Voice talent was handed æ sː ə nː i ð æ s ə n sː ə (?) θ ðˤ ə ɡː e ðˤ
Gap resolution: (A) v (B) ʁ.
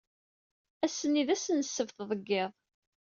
A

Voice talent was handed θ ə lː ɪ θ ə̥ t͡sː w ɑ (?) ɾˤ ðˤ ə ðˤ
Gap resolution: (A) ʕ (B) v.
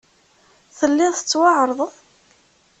A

